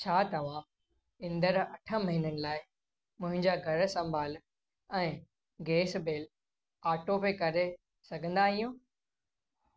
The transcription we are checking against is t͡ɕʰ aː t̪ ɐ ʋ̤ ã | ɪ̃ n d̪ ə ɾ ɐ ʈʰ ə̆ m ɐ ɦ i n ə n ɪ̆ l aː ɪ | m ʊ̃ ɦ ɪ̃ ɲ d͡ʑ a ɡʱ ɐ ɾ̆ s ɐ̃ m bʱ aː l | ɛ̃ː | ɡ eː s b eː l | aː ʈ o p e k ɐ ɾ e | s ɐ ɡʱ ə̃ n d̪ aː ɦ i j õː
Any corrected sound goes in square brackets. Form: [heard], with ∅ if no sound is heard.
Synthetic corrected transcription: t͡ɕʰ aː t̪ ɐ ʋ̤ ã | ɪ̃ n d̪ ə ɾ ɐ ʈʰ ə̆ m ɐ ɦ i n ə n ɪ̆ l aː ɪ | m ʊ̃ ɦ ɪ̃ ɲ d͡ʑ a ɡʱ ɐ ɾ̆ s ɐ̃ m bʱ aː l | ɛ̃ː | ɡ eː s b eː l | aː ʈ o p e k ɐ ɾ e | s ɐ ɡʱ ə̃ n d̪ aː ɦ i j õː